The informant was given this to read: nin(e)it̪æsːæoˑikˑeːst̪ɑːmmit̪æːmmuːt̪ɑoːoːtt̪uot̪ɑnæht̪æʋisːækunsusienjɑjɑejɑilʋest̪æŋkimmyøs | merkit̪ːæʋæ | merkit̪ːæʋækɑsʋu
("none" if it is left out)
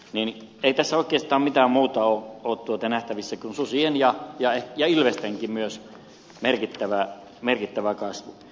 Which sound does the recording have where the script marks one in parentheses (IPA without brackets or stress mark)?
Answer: e